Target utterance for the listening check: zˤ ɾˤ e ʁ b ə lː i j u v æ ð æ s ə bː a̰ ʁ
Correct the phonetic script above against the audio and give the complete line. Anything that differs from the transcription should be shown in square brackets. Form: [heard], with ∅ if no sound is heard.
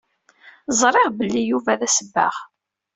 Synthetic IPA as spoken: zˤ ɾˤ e ʁ b ə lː i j u v æ ð æ s ə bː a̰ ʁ